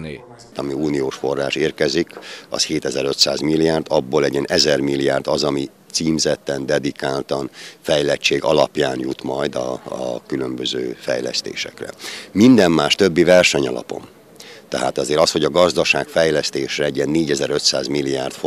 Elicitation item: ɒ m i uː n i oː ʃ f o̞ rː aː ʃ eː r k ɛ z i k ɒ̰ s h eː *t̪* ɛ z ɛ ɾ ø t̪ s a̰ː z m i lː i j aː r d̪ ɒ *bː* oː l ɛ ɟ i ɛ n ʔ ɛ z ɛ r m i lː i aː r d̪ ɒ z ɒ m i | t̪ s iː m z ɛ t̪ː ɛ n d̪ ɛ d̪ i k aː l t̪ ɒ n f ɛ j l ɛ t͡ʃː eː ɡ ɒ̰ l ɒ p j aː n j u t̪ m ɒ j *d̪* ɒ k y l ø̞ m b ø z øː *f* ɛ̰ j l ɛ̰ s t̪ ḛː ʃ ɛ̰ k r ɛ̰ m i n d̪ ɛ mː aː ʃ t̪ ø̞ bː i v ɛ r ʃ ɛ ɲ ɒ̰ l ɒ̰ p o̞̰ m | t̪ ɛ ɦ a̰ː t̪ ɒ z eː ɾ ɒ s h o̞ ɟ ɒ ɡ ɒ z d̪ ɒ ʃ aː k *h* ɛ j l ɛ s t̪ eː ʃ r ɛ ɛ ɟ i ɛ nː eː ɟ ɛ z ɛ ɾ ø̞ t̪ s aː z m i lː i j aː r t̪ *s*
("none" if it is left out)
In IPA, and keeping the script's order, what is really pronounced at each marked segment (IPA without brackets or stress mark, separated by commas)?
t̪, bː, d̪, f, f, f